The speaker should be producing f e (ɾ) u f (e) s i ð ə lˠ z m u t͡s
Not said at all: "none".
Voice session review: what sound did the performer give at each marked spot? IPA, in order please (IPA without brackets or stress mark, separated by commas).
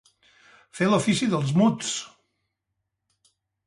l, i